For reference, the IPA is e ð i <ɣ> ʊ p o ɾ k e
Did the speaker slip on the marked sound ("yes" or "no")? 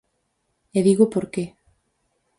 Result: no